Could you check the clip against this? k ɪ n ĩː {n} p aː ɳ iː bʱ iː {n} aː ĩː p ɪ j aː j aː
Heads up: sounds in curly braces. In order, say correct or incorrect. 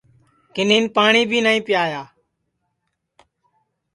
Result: correct, correct

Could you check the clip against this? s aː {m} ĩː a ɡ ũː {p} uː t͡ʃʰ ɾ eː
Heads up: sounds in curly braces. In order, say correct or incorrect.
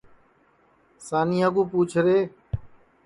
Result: incorrect, correct

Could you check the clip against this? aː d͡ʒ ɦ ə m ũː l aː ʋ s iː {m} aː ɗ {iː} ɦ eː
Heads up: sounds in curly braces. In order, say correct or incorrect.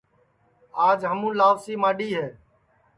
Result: correct, correct

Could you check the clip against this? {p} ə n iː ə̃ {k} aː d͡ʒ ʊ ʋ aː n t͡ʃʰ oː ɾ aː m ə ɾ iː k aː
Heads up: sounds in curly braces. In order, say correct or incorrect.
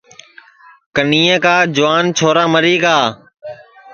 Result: incorrect, correct

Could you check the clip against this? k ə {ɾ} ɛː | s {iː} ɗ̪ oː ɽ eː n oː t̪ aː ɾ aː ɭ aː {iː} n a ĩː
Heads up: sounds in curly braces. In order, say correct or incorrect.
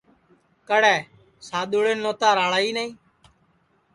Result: incorrect, incorrect, correct

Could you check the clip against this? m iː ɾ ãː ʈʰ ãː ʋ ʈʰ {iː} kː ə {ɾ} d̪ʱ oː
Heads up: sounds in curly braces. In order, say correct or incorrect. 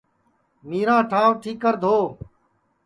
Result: correct, correct

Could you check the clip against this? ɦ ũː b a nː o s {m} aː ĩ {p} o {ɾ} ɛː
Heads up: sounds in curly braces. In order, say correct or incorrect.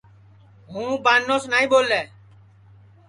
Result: incorrect, incorrect, incorrect

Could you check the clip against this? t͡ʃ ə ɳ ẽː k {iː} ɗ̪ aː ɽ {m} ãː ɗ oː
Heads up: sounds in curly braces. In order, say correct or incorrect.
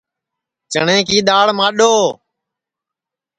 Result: correct, correct

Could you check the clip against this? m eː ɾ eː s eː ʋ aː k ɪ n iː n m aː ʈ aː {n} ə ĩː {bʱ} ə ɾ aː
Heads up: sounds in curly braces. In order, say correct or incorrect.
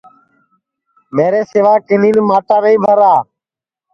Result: correct, correct

